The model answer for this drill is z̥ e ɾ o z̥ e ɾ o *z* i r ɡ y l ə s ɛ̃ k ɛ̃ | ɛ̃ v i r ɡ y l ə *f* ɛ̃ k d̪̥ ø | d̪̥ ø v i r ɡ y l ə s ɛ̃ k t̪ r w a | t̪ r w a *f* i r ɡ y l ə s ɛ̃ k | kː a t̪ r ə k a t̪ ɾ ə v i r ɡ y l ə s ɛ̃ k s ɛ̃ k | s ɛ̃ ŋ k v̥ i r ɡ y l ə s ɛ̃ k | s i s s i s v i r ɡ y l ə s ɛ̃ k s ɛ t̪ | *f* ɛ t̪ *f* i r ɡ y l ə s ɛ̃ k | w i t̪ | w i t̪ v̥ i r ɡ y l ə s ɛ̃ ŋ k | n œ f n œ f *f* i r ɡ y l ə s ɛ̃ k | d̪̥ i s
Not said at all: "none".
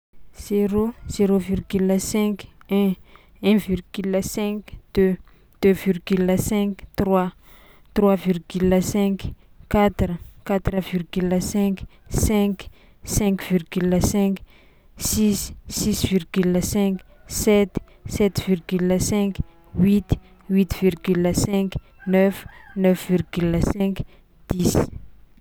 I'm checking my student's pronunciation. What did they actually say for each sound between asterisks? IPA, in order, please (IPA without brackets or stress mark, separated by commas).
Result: v, s, v, s, v, v